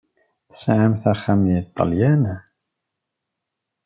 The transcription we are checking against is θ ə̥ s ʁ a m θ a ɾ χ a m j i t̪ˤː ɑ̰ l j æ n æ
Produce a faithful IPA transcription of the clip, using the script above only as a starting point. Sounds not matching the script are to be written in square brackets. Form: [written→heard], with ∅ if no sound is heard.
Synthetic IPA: θ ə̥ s [ʁ→ʕ] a m θ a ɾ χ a m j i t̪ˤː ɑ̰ l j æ n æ

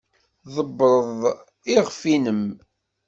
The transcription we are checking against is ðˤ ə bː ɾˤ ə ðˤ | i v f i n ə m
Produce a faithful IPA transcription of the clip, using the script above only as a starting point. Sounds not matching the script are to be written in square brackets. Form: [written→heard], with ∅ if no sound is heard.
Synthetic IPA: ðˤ ə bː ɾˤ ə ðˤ | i [v→ʁ] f i n ə m

